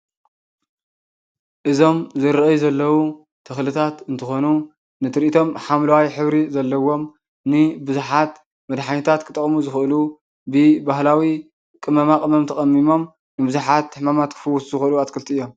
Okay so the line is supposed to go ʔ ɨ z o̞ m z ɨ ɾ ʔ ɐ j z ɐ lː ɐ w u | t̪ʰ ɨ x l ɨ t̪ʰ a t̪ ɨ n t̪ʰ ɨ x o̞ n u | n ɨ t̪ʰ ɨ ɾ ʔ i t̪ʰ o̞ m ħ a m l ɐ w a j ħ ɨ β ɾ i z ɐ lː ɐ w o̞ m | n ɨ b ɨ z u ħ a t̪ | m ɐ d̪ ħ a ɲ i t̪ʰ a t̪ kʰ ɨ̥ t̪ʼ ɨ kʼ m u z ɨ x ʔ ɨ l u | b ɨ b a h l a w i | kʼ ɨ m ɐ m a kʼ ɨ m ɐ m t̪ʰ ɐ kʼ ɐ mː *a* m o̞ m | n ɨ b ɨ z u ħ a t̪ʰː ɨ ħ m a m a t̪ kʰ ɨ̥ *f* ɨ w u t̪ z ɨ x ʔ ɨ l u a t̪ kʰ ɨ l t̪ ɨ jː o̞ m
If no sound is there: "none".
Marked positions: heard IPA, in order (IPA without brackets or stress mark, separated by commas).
i, f